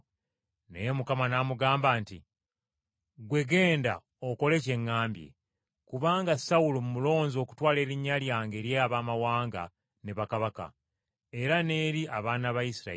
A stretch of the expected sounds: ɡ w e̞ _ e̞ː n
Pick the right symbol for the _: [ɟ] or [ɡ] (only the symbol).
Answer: ɡ